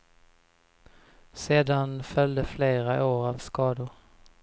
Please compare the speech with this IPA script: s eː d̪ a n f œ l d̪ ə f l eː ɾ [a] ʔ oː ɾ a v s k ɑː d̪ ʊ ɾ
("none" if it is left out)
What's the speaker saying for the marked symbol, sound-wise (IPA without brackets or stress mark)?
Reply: a